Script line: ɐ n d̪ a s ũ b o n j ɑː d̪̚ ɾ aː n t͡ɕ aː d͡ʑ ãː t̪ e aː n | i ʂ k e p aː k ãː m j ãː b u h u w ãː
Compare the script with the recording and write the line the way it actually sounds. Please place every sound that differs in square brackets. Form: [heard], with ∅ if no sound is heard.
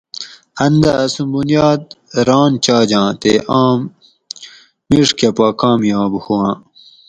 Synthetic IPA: ɐ n d̪ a s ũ b [u] n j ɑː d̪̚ ɾ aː n t͡ɕ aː d͡ʑ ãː t̪ e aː [m] | i ʂ k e p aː k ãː m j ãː b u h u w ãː